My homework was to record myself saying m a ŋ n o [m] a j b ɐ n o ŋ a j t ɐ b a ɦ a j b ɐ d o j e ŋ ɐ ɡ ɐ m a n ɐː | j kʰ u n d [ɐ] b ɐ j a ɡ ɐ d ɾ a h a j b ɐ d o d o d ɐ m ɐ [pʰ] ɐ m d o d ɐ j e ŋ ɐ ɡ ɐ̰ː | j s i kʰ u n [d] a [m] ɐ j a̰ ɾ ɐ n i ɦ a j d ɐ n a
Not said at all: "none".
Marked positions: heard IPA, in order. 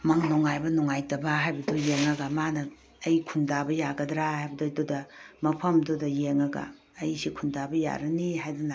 ŋ, a, pʰ, d, b

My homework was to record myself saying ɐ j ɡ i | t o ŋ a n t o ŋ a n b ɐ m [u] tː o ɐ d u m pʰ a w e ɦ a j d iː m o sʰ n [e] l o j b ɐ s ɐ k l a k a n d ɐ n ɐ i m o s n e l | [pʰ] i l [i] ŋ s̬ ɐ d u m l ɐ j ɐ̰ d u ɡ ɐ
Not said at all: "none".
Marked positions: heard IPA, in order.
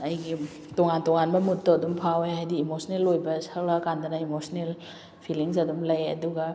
u, e, pʰ, i

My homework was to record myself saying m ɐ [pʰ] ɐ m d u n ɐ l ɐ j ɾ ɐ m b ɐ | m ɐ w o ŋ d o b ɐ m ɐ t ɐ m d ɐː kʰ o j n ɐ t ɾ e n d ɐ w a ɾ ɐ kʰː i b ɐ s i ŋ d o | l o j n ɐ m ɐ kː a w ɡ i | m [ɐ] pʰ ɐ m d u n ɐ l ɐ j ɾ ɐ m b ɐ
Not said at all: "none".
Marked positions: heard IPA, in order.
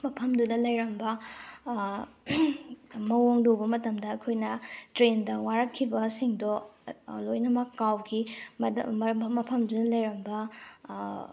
pʰ, ɐ

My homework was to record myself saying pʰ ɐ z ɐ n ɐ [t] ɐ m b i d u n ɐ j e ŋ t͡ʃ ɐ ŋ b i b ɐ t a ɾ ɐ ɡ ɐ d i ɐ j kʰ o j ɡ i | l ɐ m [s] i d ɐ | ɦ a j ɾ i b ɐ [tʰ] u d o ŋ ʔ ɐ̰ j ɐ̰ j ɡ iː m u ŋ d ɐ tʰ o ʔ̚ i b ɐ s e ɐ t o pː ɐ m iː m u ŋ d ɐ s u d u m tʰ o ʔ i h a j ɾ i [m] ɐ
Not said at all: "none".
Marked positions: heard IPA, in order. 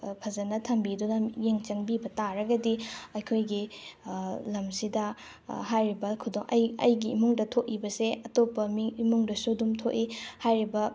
tʰ, s, kʰ, b

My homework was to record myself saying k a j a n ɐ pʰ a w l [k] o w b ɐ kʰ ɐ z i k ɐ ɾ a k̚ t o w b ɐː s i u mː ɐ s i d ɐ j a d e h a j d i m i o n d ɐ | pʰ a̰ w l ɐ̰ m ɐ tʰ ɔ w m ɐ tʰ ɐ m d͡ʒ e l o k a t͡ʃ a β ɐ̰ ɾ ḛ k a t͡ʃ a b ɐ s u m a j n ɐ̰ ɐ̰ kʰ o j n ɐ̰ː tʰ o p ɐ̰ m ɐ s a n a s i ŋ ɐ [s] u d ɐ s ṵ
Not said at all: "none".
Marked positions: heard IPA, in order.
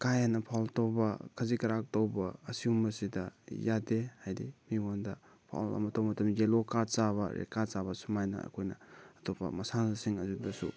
t, z

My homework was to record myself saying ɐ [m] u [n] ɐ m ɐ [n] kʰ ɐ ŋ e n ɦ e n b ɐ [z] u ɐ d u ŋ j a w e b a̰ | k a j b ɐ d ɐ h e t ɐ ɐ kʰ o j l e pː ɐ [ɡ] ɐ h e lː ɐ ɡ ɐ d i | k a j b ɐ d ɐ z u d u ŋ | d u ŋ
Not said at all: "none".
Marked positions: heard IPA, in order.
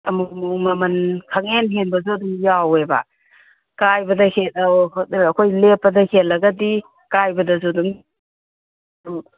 m, m, n, z, d

